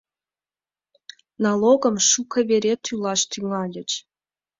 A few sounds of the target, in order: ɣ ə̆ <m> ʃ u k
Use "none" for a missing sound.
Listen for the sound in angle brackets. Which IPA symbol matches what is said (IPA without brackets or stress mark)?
m